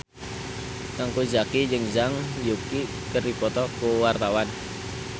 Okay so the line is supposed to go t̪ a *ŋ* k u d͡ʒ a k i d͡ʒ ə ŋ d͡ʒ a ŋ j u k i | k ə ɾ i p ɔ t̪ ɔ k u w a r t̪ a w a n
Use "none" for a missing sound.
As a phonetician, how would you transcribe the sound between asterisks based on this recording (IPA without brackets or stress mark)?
ŋ